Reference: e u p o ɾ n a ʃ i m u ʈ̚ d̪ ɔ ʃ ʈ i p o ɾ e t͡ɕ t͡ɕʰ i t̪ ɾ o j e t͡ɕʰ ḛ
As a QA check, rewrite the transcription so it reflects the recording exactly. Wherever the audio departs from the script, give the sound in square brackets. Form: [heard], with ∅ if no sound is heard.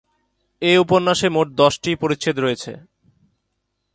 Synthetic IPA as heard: e u p o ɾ n a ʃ [e] m [o] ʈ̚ d̪ ɔ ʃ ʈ i p o ɾ [i] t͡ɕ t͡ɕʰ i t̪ ɾ o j e t͡ɕʰ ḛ